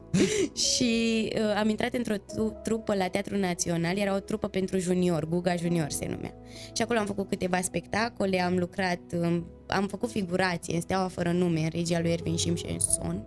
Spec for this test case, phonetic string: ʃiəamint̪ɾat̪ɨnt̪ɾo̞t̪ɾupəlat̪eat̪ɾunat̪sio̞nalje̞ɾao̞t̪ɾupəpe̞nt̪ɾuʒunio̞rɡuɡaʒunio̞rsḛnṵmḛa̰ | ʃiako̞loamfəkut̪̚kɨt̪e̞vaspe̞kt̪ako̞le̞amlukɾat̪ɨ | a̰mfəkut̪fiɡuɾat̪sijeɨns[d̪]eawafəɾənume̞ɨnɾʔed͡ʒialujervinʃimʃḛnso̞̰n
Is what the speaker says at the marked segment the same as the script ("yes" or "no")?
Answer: no